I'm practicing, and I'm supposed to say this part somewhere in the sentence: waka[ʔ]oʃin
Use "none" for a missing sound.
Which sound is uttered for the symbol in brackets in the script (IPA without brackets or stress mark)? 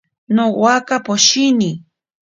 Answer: p